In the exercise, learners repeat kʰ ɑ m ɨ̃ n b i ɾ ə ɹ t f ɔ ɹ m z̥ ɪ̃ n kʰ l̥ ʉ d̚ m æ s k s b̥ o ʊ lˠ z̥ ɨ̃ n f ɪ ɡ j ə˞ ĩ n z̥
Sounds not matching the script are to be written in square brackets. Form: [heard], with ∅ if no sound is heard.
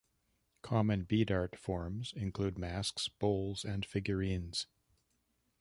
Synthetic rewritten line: kʰ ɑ m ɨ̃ n b i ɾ [ɑ] ɹ t f ɔ ɹ m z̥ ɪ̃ n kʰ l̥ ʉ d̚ m æ s k s b̥ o ʊ lˠ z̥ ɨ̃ n f ɪ ɡ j ə˞ ĩ n z̥